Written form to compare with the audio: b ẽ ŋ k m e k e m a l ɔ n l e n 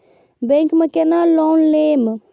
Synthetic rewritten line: b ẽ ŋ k m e k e n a l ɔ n l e m